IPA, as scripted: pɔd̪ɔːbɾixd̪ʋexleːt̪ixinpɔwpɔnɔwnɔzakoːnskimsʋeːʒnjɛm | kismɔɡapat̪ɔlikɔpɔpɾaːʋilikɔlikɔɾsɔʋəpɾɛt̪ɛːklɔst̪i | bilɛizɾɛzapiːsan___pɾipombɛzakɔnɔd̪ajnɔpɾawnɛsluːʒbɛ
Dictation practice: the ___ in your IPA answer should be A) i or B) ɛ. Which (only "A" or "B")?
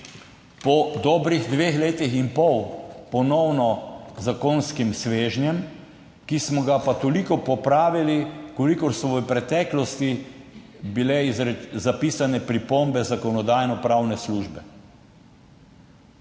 B